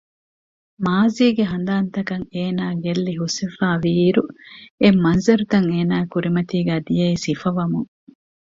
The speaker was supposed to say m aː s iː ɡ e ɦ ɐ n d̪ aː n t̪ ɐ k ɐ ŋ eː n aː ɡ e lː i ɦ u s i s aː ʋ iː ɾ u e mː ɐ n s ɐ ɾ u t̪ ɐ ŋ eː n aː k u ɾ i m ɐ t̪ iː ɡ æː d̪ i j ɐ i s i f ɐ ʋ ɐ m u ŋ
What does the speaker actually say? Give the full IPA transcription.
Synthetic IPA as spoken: m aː z iː ɡ e ɦ ɐ n d̪ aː n t̪ ɐ k ɐ ŋ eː n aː ɡ e lː i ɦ u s i f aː ʋ iː ɾ u e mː ɐ n z ɐ ɾ u t̪ ɐ ŋ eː n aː k u ɾ i m ɐ t̪ iː ɡ æː d̪ i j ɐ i s i f ɐ ʋ ɐ m u ŋ